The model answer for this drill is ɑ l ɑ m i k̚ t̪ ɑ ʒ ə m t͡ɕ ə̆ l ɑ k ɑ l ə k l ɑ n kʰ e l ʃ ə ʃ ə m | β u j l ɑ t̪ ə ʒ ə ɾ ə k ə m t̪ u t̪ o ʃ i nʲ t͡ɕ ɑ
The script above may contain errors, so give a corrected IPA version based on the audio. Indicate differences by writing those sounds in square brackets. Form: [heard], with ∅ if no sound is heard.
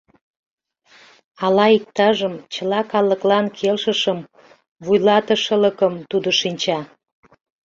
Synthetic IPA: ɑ l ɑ [∅] i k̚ t̪ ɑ ʒ ə m t͡ɕ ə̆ l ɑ k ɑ l ə k l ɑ n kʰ e l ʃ ə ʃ ə m | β u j l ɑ t̪ ə [ʃ] ə [l] ə k ə m t̪ u [d̪] o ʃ i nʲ t͡ɕ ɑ